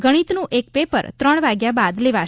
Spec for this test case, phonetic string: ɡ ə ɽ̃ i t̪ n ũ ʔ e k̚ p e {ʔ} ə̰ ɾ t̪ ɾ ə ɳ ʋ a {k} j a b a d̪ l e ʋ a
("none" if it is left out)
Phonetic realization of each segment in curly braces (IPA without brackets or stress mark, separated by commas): p, ɡ